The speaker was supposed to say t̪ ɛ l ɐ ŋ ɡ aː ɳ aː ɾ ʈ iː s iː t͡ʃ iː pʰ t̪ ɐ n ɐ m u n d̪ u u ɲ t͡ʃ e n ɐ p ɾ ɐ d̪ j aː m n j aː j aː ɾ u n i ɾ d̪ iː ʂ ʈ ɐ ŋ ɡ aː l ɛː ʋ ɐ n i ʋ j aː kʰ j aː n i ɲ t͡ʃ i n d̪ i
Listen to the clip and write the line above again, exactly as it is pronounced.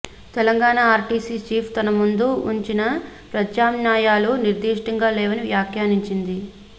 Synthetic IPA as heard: t̪ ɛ l ɐ ŋ ɡ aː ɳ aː ɾ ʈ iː s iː t͡ʃ iː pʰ t̪ ɐ n ɐ m u n d̪ u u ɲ t͡ʃ i n ɐ p ɾ ɐ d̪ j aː m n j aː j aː l u n i ɾ d̪ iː ʂ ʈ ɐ ŋ ɡ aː l ɛː ʋ ɐ n i ʋ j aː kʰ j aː n i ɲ t͡ʃ i n d̪ i